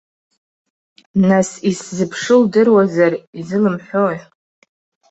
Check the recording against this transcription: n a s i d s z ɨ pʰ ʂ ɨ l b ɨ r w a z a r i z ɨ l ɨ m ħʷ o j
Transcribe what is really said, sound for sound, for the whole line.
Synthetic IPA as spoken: n a s i s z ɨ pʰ ʂ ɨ l d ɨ r w a z a r i z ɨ l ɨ m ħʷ o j